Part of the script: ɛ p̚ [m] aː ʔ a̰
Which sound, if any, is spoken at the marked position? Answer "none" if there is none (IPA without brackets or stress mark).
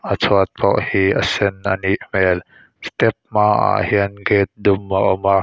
m